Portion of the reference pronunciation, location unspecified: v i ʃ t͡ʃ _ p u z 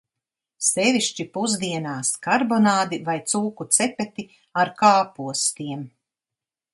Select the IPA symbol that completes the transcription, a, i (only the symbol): i